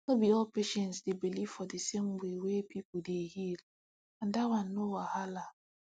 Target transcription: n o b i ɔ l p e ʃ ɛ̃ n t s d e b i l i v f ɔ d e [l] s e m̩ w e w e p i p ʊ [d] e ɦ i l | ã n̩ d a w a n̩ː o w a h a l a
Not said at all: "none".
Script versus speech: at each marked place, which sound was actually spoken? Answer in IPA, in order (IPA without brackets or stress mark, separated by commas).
none, d